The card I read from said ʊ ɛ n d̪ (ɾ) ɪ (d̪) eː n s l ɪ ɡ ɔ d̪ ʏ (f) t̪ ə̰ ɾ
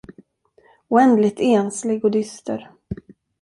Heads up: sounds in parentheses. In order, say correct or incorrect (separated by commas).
incorrect, incorrect, incorrect